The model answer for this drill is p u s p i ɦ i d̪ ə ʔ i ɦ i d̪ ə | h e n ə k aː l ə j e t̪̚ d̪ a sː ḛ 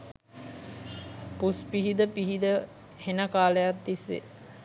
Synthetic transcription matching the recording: p u s p i ɦ i d̪ ə p i ɦ i d̪ ə | h e n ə k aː l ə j a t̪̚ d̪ i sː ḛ